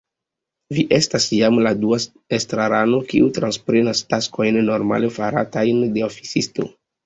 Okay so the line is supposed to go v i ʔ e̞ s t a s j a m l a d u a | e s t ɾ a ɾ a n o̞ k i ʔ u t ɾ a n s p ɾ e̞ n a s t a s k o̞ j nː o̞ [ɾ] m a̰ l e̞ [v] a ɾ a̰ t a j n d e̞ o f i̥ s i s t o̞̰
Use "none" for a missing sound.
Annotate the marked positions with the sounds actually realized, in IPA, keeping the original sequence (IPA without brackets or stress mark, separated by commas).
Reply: ɾ, f